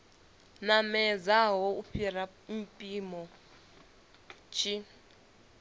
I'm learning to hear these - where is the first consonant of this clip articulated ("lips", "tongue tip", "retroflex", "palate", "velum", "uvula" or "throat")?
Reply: tongue tip